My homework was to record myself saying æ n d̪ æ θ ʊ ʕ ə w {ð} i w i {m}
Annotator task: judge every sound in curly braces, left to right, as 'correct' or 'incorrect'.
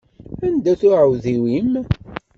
correct, correct

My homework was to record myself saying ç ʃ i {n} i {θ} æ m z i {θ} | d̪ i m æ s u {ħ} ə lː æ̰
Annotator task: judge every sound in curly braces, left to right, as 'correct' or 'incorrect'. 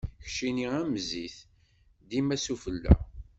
correct, incorrect, correct, incorrect

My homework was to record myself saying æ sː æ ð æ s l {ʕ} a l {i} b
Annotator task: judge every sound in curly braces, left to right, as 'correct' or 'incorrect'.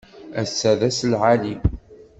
correct, correct

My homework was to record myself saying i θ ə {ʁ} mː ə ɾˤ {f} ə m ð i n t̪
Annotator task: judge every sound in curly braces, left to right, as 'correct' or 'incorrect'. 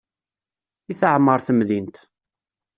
incorrect, incorrect

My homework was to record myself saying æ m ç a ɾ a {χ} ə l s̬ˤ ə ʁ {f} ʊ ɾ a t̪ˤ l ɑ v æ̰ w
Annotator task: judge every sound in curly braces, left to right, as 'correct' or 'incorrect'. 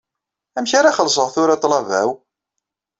correct, incorrect

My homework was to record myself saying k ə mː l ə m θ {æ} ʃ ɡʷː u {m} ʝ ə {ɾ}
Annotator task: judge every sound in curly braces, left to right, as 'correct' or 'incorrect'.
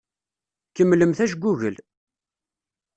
correct, incorrect, incorrect

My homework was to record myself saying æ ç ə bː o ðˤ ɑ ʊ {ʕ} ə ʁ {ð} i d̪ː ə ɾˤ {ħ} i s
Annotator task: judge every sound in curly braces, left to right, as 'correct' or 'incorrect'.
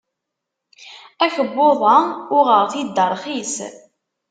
incorrect, incorrect, incorrect

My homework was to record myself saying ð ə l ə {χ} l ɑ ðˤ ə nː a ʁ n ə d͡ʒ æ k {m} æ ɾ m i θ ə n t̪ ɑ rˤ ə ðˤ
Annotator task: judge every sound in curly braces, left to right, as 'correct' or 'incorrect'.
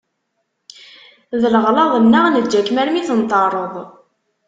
incorrect, correct

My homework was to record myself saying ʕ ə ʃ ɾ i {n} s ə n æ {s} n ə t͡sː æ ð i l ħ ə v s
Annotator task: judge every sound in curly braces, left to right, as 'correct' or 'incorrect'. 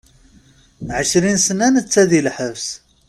correct, incorrect

